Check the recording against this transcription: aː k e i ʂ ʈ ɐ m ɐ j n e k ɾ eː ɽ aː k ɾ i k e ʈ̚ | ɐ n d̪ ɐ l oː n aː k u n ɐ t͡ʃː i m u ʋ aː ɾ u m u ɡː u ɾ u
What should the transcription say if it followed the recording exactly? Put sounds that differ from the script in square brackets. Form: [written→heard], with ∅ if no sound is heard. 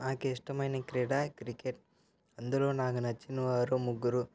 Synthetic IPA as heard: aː k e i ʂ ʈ ɐ m ɐ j n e k ɾ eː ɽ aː k ɾ i k e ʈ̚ | ɐ n d̪ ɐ l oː n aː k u n ɐ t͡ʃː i [m→n] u ʋ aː ɾ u m u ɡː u ɾ u

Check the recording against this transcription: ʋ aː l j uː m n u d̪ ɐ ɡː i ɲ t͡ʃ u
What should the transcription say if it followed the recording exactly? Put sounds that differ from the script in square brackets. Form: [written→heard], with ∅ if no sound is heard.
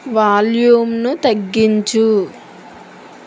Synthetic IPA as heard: ʋ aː l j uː m n u [d̪→t̪] ɐ ɡː i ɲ t͡ʃ u

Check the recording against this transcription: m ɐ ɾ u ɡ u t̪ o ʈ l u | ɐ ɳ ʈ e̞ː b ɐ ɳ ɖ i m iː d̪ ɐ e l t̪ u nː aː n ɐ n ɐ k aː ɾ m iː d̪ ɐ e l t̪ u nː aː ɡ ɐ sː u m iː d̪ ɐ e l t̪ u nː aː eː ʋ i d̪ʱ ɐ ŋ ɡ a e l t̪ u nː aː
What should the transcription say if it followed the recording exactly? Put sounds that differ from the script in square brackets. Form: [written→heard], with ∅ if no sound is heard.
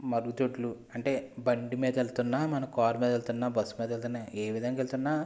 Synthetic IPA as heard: m ɐ ɾ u ɡ u t̪ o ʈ l u | ɐ ɳ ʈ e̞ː b ɐ ɳ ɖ i m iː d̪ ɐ e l t̪ u nː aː [n→m] ɐ n ɐ k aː ɾ m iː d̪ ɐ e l t̪ u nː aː [ɡ→b] ɐ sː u m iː d̪ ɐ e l t̪ u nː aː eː ʋ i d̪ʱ ɐ ŋ ɡ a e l t̪ u nː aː

